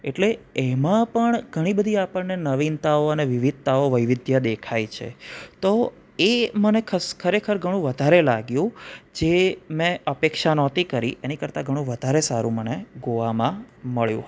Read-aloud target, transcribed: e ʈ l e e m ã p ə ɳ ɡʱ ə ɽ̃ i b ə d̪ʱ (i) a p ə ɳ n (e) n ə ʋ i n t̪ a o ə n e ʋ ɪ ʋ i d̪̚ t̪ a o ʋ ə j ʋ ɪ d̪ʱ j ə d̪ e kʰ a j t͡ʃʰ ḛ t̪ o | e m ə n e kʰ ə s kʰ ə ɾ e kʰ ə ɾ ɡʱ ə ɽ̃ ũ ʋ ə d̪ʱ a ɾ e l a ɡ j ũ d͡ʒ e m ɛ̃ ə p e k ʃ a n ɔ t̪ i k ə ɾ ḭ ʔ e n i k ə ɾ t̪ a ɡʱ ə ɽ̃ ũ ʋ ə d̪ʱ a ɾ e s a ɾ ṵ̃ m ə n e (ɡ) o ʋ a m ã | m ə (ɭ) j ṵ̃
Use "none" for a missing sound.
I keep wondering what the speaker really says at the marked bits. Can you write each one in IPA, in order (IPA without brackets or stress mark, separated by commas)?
i, e, ɡ, ɭ